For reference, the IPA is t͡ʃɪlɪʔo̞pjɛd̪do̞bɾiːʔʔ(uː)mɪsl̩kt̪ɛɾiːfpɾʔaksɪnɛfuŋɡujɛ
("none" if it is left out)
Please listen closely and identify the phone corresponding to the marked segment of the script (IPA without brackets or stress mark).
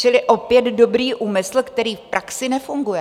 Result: uː